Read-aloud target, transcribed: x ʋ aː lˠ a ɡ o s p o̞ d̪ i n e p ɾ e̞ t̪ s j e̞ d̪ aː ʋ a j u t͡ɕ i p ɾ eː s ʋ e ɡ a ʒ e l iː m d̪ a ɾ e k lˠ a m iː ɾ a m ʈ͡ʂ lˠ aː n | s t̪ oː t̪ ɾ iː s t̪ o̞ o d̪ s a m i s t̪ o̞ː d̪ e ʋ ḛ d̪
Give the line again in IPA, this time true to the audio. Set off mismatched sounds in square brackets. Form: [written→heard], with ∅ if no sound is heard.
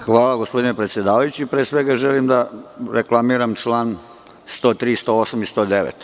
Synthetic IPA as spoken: x ʋ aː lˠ a ɡ o s p o̞ d̪ i n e p ɾ e̞ t̪ s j e̞ d̪ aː ʋ a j u t͡ɕ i p ɾ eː s ʋ e ɡ a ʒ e l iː m d̪ a ɾ e k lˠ a m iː ɾ a m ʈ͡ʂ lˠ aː n | s t̪ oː t̪ ɾ iː s t̪ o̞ o [d̪→∅] s a m i s t̪ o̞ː d̪ e ʋ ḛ [d̪→t̪]